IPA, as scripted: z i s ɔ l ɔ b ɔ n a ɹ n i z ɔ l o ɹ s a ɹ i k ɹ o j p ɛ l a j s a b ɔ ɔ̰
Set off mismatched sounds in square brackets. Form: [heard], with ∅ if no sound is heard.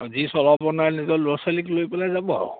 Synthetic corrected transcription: z i s ɔ l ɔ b ɔ n a ɹ n i z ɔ l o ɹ s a [l] i k [l] o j p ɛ l a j [z] a b ɔ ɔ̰